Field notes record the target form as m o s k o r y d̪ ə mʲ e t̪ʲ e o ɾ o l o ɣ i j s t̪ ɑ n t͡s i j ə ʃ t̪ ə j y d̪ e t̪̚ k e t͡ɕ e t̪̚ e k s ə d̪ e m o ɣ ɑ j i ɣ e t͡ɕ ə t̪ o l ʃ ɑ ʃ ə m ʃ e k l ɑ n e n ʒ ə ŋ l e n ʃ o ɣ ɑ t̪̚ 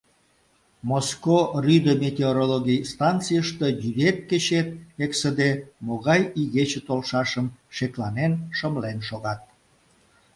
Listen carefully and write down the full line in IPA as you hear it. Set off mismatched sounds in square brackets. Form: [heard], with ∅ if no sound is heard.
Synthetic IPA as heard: m o s k o r y d̪ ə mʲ e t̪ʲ e o ɾ o l o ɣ i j s t̪ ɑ n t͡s i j ə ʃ t̪ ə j y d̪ e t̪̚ k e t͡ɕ e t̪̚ e k s ə d̪ e m o ɣ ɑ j i ɣ e t͡ɕ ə t̪ o l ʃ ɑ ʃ ə m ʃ e k l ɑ n e n [ʃ] ə [m] l e n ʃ o ɣ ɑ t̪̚

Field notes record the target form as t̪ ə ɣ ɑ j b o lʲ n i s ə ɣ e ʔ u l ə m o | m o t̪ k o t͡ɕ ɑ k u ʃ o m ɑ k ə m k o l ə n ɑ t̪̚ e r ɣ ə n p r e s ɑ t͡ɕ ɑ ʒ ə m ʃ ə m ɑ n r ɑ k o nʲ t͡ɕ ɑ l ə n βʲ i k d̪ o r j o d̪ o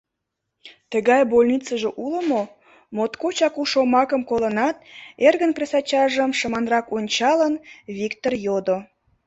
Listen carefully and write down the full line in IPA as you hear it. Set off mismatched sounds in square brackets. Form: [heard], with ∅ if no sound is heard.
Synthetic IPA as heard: t̪ ə ɣ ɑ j b o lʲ n i [t͡s] ə [ʒ] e ʔ u l ə m o | m o t̪ k o t͡ɕ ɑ k u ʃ o m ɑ k ə m k o l ə n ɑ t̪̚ e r ɣ ə n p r e s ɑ t͡ɕ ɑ ʒ ə m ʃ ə m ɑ n r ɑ k o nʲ t͡ɕ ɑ l ə n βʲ i k [t̪] o r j o d̪ o

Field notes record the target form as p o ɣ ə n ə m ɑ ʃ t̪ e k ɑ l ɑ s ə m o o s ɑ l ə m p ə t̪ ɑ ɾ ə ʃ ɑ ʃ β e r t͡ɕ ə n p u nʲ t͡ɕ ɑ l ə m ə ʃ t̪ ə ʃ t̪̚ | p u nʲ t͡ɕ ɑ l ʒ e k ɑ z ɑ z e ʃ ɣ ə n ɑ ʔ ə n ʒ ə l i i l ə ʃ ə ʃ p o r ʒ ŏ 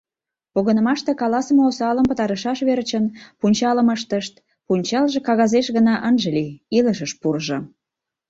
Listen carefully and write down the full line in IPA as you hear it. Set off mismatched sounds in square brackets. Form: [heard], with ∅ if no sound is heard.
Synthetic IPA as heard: p o ɣ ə n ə m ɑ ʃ t̪ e k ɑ l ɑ s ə m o o s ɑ l ə m p ə t̪ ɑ ɾ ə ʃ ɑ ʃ β e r t͡ɕ ə n p u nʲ t͡ɕ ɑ l ə m ə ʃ t̪ ə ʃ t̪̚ | p u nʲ t͡ɕ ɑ l ʒ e k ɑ [ɣ] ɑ z e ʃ ɣ ə n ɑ ʔ ə n ʒ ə l i i l ə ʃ ə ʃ p [u] r ʒ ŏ

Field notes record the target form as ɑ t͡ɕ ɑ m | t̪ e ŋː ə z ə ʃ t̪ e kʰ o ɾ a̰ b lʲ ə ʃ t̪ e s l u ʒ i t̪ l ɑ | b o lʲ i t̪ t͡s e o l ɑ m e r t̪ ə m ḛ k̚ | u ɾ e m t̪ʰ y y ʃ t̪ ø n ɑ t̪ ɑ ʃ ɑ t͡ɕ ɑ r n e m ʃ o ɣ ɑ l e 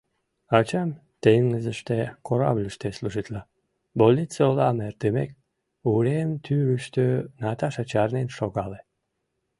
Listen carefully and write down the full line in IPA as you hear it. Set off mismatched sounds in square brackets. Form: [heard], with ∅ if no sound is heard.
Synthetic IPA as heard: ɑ t͡ɕ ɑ m | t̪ e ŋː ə z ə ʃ t̪ e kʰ o ɾ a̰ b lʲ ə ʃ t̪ e s l u ʒ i t̪ l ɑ | b o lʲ i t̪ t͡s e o l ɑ m e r t̪ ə m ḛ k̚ | u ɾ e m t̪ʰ y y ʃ t̪ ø n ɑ t̪ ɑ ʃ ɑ t͡ɕ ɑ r n e [n] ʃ o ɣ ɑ l e

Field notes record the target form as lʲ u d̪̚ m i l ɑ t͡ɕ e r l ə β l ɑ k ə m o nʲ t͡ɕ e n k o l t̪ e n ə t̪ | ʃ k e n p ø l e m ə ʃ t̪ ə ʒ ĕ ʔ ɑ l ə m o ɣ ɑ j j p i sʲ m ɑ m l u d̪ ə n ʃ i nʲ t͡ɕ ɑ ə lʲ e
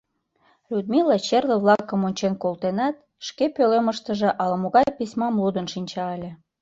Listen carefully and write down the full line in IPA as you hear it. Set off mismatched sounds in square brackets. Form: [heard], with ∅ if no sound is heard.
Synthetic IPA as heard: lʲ u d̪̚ m i l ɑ t͡ɕ e r l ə β l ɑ k ə m o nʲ t͡ɕ e n k o l t̪ e n [ɑ] t̪ | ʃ k e [∅] p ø l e m ə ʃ t̪ ə ʒ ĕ ʔ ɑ l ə m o ɣ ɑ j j p i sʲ m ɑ m l u d̪ ə n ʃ i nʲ t͡ɕ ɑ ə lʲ e

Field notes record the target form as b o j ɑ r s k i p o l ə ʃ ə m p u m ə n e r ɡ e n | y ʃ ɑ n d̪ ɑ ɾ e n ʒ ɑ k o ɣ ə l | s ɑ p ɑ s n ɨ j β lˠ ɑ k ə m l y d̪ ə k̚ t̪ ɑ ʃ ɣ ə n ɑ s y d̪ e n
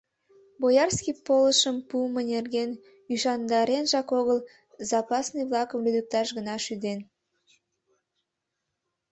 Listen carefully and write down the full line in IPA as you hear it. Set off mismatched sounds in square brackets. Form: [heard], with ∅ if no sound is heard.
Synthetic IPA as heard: b o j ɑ r s k i p o l ə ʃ ə m p u m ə n e r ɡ e n | y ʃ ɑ n d̪ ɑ ɾ e n ʒ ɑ k o ɣ ə l | [z] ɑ p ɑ s n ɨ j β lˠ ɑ k ə m l y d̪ ə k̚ t̪ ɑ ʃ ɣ ə n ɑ [ʃ] y d̪ e n

